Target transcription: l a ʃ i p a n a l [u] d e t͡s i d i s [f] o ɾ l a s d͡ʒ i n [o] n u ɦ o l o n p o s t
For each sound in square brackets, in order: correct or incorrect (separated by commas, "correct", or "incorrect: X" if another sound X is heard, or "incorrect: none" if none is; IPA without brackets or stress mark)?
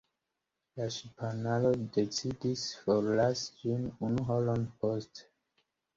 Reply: incorrect: o, correct, incorrect: u